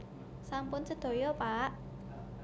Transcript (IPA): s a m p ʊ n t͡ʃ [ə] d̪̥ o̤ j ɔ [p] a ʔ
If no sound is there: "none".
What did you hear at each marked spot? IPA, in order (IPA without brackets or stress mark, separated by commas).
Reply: ə, p